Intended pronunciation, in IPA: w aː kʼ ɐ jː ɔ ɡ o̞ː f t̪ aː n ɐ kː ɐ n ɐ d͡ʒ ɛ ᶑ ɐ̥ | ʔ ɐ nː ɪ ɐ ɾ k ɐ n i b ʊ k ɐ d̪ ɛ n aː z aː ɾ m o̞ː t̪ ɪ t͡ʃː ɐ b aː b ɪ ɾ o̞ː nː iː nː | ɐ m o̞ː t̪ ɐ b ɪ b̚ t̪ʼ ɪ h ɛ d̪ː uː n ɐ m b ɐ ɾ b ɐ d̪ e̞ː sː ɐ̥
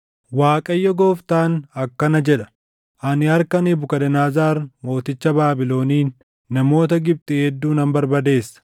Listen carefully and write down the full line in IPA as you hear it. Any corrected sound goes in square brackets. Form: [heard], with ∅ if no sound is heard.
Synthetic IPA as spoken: w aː kʼ ɐ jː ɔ ɡ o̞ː f t̪ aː n ɐ kː ɐ n ɐ d͡ʒ ɛ ᶑ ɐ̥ | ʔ ɐ [n] ɪ ɐ ɾ k ɐ n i b ʊ k ɐ d̪ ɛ n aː z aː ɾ m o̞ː t̪ ɪ t͡ʃː ɐ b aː b ɪ [l] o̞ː [n] iː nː | ɐ m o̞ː t̪ ɐ [ɡ] ɪ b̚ t̪ʼ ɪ h ɛ d̪ː uː n ɐ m b ɐ ɾ b ɐ d̪ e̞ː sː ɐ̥

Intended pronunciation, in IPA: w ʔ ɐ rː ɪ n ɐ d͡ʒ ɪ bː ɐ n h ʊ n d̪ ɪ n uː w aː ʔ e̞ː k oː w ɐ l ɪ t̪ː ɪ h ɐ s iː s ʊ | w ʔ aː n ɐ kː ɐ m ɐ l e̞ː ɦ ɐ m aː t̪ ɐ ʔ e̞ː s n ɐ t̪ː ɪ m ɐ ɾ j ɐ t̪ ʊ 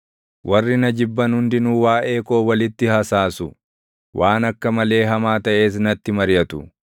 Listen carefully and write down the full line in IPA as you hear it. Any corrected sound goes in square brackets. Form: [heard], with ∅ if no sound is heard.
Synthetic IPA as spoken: w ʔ ɐ rː ɪ n ɐ d͡ʒ ɪ bː ɐ n h ʊ n d̪ ɪ n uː w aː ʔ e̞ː k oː w ɐ l ɪ t̪ː ɪ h ɐ s [aː] s ʊ | w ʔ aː n ɐ kː ɐ m ɐ l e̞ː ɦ ɐ m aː t̪ ɐ ʔ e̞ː s n ɐ t̪ː ɪ m ɐ ɾ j ɐ t̪ ʊ

